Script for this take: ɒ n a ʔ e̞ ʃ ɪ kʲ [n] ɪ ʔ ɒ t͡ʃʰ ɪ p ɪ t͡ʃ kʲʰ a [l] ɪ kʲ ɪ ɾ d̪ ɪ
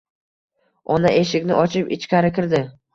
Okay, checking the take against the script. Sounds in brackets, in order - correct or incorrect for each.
correct, incorrect: ɾ

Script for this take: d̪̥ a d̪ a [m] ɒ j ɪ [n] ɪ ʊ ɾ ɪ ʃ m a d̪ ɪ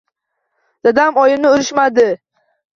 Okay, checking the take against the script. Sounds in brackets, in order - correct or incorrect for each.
correct, correct

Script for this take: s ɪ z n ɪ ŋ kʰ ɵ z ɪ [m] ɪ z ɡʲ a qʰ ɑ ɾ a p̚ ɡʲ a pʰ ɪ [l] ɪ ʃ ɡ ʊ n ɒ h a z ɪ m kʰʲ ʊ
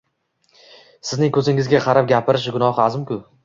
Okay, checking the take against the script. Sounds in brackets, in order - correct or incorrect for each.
incorrect: ŋ, incorrect: ɾ

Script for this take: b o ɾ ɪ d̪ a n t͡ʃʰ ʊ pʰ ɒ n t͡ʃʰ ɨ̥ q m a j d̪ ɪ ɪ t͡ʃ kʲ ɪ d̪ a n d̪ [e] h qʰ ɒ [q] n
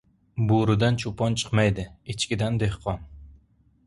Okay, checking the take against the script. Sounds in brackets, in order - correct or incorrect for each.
correct, incorrect: none

